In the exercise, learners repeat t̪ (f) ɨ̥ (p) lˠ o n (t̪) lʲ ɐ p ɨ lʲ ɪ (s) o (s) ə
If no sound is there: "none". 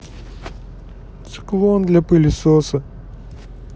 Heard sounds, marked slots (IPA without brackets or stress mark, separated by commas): s, k, d̪, s, s